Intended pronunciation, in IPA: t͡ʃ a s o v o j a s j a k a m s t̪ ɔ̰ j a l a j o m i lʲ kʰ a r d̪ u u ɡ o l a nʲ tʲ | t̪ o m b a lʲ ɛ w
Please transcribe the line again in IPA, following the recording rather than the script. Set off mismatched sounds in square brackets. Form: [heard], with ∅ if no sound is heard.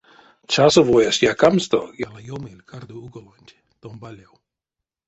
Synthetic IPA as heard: t͡ʃ a s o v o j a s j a k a m s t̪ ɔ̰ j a l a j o m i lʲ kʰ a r d̪ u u ɡ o l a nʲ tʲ | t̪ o m b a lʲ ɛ w

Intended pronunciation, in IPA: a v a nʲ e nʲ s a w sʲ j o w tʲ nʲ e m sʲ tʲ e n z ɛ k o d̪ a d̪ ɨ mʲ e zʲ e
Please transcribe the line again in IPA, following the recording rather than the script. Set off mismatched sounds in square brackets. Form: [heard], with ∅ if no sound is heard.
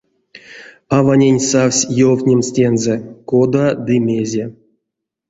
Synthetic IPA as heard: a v a nʲ e nʲ s a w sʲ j o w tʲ nʲ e m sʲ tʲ e n z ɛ k o d̪ a d̪ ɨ mʲ e zʲ e

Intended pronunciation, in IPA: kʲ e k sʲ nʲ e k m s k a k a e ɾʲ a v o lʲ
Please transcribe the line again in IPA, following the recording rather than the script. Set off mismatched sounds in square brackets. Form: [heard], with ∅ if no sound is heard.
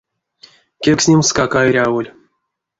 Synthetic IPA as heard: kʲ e k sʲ nʲ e [∅] m s k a k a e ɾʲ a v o lʲ

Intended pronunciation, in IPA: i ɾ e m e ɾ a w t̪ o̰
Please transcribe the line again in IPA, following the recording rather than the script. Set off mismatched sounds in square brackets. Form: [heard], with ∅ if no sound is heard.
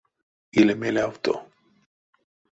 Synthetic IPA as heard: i [l] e m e [l] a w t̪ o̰

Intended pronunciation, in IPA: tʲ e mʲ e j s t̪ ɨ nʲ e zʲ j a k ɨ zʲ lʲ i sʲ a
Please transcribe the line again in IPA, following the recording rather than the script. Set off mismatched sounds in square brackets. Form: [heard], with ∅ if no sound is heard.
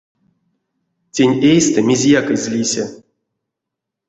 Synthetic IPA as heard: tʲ e [nʲ] e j s t̪ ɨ [mʲ] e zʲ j a k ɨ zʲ lʲ i sʲ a

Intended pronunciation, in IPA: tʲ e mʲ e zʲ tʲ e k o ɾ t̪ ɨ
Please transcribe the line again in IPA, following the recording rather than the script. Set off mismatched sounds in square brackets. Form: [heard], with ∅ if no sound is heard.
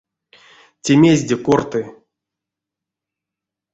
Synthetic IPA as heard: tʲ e mʲ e zʲ [dʲ] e k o [r] t̪ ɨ

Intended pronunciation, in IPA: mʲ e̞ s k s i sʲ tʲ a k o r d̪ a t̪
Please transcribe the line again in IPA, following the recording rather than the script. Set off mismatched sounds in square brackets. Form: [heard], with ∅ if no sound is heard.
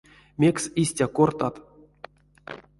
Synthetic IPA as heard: mʲ e̞ [∅] k s i sʲ tʲ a k o r [t̪] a t̪

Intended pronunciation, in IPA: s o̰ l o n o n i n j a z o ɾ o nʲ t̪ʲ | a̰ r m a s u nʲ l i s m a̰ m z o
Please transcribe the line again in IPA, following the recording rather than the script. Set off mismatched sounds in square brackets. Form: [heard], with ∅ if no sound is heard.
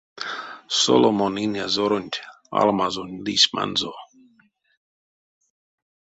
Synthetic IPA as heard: s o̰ l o [m] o n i n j a z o ɾ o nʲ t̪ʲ | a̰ [l] m a [z] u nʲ l i s m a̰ [n] z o

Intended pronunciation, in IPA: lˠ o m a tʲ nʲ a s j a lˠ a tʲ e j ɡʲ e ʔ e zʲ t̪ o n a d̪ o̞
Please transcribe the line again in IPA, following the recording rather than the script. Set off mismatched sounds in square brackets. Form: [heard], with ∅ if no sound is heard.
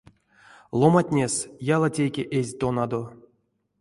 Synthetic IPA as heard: lˠ o m a tʲ nʲ [e] s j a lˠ a tʲ e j [kʲ] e ʔ e zʲ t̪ o n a d̪ o̞

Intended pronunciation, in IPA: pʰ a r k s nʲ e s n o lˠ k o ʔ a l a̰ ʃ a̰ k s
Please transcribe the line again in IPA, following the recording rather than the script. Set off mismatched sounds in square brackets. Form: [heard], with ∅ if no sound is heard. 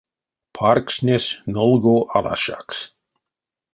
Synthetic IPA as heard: pʰ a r k s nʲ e s n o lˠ [ɡ] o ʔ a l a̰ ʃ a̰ k s

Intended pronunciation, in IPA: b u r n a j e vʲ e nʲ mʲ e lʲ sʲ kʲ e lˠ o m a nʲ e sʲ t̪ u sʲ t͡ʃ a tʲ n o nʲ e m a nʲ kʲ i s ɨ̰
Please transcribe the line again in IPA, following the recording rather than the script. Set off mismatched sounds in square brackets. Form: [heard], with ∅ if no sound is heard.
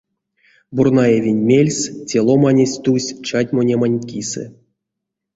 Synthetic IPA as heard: b u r n a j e vʲ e nʲ mʲ e lʲ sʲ [tʲ] e lˠ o m a nʲ e sʲ t̪ u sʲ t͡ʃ a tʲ [m] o nʲ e m a nʲ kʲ i s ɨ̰

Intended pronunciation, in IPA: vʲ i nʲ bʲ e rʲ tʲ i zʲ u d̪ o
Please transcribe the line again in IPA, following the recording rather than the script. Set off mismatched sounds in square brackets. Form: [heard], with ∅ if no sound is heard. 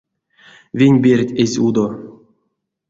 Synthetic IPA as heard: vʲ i nʲ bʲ e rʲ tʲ [e] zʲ u d̪ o

